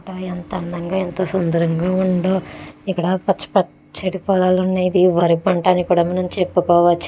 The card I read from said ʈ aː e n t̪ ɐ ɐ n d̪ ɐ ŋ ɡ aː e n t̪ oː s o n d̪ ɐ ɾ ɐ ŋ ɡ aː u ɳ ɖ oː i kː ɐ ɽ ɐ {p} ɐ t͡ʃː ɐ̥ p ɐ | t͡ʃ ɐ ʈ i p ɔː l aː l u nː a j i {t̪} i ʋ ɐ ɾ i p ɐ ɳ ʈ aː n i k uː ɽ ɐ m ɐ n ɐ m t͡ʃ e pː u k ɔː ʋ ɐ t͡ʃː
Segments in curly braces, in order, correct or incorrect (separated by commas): correct, incorrect